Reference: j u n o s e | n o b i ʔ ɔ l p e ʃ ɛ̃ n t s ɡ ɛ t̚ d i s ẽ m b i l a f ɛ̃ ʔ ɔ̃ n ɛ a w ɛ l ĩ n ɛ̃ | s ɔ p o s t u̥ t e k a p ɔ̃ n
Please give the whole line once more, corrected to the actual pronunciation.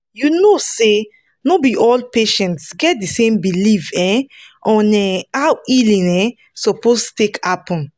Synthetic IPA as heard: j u n o s e | n o b i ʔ ɔ l p e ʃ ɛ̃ n t s ɡ ɛ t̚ d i s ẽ m b i l i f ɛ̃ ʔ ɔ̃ n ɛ a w i l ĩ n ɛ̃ | s ɔ p o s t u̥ t e k a p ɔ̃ n